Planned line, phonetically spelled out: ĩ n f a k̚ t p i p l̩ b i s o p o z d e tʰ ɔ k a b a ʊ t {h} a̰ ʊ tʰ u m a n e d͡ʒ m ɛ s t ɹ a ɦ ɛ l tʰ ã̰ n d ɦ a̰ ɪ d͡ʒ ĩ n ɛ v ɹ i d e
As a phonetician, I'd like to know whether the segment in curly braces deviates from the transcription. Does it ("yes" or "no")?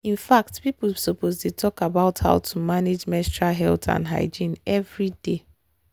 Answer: no